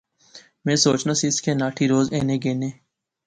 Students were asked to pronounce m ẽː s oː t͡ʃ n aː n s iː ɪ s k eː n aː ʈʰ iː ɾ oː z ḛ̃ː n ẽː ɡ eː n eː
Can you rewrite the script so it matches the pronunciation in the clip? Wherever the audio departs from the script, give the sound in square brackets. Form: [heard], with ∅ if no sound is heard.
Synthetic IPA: m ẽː s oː t͡ʃ n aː [∅] s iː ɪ s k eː n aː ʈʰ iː ɾ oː z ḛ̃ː n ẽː ɡ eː n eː